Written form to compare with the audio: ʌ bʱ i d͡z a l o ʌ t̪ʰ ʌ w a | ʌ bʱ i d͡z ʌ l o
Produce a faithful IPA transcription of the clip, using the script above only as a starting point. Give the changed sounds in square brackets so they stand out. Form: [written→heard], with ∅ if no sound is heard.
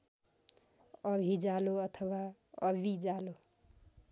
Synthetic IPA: ʌ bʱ i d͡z a l o ʌ t̪ʰ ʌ w a | ʌ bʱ i d͡z [ʌ→a] l o